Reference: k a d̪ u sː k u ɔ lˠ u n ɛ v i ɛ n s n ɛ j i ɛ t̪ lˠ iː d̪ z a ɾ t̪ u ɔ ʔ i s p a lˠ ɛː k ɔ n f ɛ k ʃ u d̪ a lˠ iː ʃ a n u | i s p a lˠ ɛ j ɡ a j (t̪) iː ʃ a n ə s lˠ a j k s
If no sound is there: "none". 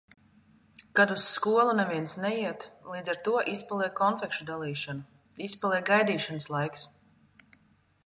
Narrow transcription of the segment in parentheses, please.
d̪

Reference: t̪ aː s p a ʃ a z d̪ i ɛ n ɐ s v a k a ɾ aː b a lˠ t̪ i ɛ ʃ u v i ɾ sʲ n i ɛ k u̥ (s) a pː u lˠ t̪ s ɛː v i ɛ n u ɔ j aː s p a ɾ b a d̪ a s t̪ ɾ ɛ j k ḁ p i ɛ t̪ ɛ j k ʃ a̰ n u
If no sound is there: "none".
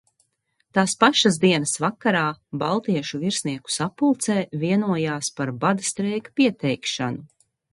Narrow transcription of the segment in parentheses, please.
s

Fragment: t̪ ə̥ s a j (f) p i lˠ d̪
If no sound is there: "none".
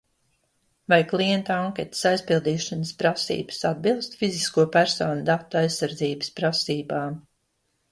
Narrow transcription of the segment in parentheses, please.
s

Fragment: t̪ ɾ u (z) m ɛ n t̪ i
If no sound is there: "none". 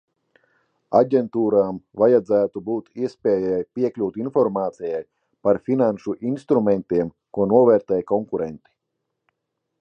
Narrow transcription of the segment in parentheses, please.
none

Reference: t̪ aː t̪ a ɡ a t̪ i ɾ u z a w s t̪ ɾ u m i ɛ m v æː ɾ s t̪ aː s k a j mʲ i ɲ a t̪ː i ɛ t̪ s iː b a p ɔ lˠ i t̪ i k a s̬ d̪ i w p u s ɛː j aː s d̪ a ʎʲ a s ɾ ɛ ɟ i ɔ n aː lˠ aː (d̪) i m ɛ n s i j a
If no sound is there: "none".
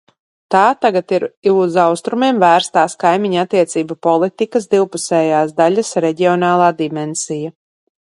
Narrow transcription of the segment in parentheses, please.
d̪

